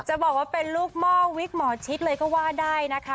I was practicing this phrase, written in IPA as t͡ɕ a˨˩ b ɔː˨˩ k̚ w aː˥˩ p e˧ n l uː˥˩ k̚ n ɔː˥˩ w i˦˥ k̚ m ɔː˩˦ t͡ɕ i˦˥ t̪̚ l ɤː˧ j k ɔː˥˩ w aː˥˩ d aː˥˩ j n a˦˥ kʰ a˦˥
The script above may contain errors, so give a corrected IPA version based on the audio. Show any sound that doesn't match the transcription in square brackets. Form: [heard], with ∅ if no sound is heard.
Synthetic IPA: t͡ɕ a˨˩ b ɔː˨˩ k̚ w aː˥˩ p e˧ n l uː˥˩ k̚ [m] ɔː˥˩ w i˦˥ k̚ m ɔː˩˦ [t͡ɕʰ] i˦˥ t̪̚ l ɤː˧ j k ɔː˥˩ w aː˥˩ d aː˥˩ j n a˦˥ kʰ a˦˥